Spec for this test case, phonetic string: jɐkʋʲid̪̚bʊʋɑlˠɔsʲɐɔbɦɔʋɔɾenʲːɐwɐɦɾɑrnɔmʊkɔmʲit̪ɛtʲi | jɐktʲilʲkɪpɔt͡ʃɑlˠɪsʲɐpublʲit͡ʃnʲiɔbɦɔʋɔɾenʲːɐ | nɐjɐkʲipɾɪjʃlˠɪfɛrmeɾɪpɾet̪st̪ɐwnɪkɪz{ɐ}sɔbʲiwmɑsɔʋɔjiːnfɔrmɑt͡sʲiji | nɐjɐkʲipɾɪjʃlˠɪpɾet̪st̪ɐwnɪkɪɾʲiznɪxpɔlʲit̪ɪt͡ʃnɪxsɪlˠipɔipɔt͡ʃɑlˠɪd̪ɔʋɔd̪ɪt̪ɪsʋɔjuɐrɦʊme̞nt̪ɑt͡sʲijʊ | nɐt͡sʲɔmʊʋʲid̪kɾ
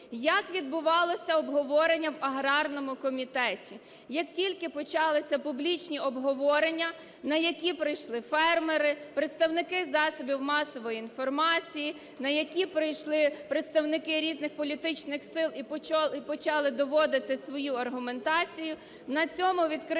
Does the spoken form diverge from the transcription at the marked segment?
yes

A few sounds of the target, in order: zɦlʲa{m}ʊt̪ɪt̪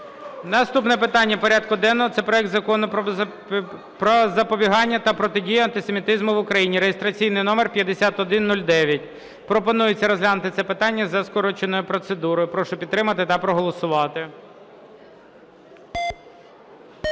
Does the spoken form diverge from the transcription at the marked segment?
yes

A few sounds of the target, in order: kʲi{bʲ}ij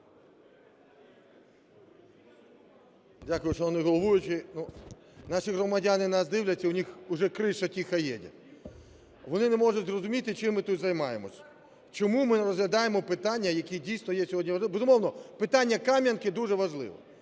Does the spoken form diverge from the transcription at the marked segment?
yes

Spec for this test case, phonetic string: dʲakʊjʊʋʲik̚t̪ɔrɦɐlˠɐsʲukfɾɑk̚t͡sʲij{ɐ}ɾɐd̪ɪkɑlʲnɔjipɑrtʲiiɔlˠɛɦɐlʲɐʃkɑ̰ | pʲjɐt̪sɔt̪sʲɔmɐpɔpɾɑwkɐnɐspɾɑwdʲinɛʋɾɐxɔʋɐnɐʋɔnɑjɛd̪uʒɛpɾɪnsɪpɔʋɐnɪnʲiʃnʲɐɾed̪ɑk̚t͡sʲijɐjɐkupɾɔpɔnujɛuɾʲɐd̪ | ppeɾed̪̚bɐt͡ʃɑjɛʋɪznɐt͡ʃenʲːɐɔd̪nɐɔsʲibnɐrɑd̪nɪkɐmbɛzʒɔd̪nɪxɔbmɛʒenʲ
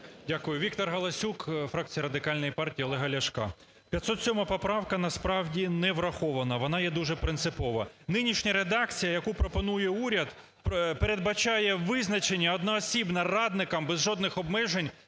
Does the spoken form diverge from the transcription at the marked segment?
no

